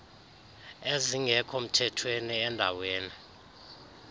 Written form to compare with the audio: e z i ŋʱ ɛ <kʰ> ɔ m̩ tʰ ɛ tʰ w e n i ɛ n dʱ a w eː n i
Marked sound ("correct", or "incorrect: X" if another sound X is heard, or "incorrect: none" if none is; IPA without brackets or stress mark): correct